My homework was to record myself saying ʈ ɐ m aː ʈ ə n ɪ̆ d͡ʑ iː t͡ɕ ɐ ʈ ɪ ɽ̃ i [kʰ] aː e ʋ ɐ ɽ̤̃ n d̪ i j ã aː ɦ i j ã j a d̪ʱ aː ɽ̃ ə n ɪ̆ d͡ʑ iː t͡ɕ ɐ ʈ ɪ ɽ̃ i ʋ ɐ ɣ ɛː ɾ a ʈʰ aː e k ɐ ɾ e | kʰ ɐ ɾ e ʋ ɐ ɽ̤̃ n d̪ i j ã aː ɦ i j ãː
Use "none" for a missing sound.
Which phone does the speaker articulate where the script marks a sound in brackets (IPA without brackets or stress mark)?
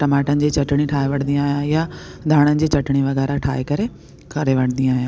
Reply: ʈʰ